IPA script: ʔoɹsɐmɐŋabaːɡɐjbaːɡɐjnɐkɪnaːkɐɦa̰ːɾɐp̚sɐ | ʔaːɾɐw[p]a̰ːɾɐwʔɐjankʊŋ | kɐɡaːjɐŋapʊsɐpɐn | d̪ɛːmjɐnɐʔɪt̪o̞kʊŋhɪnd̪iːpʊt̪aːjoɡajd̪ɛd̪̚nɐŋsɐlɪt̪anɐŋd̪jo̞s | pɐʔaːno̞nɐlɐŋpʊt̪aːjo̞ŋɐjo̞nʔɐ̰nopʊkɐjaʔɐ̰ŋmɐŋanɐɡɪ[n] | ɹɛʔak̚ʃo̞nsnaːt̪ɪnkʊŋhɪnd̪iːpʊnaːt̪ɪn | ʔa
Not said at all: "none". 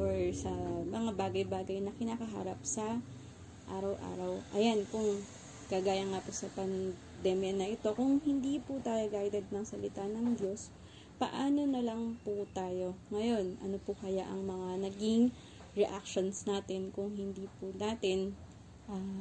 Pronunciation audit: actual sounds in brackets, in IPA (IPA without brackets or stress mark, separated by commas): ʔ, ŋ